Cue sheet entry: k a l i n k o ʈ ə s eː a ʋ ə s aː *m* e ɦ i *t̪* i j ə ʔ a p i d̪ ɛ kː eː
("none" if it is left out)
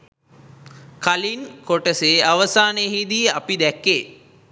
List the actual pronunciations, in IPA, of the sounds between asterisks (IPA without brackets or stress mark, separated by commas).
n, d̪